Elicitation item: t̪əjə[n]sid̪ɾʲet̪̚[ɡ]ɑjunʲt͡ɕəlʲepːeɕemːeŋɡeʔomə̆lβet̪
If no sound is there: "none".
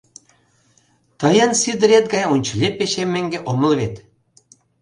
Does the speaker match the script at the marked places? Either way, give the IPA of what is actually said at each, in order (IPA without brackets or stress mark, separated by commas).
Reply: n, ɡ